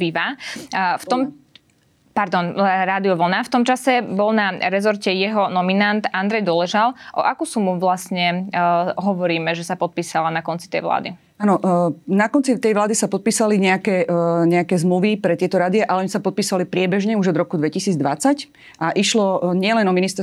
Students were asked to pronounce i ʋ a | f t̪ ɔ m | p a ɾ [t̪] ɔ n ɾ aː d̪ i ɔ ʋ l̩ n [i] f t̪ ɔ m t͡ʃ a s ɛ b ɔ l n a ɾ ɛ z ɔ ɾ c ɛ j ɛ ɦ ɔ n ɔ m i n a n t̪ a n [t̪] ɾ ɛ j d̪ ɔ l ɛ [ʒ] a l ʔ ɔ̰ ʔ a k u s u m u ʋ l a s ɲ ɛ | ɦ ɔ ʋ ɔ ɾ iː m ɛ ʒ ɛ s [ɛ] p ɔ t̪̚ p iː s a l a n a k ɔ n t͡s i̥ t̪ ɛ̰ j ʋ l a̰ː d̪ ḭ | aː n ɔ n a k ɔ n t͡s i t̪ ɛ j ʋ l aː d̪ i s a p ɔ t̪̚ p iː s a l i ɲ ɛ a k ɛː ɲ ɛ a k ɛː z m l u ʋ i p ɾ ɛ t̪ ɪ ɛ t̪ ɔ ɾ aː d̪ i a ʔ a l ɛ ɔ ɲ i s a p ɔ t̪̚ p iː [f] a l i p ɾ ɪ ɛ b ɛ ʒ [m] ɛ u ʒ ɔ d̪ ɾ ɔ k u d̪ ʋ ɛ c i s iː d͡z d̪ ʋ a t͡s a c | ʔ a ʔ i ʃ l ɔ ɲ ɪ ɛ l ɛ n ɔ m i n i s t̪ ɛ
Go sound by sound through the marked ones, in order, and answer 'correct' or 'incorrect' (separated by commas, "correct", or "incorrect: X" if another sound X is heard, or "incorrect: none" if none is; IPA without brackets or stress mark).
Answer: incorrect: d̪, incorrect: a, incorrect: d̪, correct, incorrect: a, incorrect: s, incorrect: ɲ